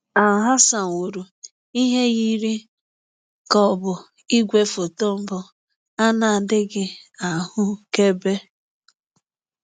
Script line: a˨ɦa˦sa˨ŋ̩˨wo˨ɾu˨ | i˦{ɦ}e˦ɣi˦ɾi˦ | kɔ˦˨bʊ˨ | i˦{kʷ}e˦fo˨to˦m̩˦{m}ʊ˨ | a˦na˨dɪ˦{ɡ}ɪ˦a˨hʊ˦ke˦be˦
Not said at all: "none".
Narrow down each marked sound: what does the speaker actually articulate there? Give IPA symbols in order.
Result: ɦ, ɡʷ, b, ɡ

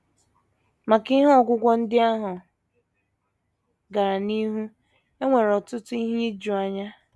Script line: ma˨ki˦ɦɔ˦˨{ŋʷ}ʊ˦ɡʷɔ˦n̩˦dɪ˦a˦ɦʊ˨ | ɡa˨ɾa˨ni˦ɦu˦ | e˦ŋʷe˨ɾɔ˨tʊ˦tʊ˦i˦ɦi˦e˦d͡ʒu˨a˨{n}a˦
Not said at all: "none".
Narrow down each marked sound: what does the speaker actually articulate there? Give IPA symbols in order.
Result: ɡʷ, ɲ

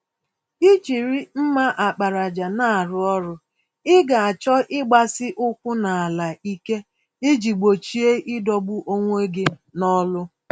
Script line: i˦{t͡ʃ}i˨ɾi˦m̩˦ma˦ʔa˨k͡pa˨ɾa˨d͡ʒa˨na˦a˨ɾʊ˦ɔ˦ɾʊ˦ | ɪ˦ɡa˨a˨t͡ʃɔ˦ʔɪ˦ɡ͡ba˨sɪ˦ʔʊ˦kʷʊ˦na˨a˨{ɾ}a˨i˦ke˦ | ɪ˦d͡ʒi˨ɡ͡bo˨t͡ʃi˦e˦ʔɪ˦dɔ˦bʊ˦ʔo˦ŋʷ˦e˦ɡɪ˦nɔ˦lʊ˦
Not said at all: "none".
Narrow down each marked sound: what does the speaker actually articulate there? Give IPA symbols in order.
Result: t͡ʃ, l

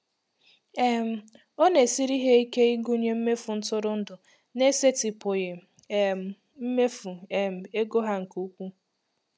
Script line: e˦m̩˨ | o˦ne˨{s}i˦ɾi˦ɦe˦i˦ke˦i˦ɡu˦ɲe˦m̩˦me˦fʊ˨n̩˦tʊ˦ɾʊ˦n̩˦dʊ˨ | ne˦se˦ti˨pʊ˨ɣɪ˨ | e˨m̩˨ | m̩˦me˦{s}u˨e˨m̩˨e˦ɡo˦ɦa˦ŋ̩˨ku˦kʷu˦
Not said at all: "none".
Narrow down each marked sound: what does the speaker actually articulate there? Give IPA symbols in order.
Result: s, f

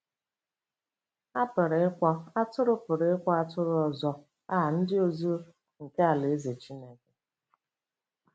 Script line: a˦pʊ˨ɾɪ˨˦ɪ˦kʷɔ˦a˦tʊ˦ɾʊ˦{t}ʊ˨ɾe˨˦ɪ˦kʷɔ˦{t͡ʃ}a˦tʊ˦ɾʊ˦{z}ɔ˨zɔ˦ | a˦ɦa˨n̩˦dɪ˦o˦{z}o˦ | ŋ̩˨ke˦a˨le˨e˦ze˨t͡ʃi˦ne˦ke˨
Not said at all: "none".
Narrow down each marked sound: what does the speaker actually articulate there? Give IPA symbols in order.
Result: p, none, none, z

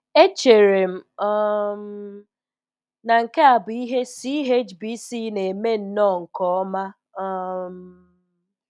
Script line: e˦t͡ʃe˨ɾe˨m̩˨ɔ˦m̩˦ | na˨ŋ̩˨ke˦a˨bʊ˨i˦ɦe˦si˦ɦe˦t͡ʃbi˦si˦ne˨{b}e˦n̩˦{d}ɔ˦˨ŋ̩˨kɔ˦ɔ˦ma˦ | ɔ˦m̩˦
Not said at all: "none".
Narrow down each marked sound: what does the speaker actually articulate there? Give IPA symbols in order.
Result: m, n

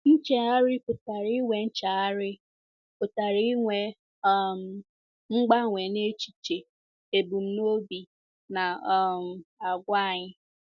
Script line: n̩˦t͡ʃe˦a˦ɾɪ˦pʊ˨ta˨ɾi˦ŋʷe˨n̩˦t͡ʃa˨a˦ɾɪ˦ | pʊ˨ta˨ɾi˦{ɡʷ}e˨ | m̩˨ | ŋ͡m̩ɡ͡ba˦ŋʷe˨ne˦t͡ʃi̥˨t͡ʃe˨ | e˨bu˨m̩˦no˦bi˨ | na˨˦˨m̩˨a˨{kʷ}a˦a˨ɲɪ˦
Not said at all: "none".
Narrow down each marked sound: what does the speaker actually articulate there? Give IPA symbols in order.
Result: ŋʷ, ɡʷ

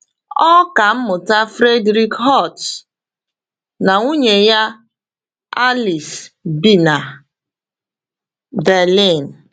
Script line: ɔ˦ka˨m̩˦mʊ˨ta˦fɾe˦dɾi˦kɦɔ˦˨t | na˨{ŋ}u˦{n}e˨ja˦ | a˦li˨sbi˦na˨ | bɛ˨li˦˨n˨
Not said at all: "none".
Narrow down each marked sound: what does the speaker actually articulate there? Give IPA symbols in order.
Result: ŋ, ɲ

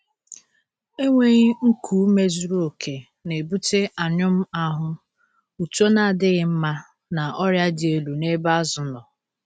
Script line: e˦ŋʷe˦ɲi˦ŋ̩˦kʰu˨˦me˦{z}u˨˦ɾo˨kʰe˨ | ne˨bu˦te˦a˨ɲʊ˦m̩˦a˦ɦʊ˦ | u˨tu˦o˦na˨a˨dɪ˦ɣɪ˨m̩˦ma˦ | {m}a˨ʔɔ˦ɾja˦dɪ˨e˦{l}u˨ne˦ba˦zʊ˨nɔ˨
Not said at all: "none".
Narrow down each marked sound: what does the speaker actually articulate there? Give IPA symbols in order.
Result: z, n, l

